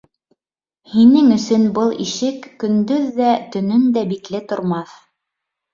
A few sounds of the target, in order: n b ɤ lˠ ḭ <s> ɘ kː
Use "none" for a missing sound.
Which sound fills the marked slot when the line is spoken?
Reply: ʃ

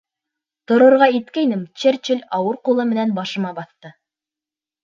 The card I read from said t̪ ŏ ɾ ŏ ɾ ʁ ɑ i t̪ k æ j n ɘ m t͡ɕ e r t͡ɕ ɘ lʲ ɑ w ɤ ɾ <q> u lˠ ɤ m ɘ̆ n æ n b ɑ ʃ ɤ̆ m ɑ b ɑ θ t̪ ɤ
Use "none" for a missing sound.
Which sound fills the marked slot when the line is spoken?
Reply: q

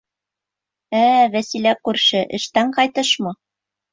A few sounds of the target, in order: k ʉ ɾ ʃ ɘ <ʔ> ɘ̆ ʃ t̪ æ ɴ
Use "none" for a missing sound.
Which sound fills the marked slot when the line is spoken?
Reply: ʔ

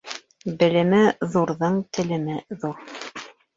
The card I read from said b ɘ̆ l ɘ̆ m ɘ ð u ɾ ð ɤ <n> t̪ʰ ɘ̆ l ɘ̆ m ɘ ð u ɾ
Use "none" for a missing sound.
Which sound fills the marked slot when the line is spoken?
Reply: ɴ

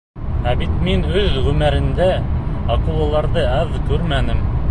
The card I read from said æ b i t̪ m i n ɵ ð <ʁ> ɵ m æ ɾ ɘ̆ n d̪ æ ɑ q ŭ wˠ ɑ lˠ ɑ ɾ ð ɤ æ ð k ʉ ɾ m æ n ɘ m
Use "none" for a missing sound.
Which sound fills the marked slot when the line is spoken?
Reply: ʁ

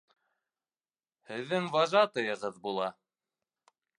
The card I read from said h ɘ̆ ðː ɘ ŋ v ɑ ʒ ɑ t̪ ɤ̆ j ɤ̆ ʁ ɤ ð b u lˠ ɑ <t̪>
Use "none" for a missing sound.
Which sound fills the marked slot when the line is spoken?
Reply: none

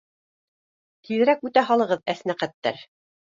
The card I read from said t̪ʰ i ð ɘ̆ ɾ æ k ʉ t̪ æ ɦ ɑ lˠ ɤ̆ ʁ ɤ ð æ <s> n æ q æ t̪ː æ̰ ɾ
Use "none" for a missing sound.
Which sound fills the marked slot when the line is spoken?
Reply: s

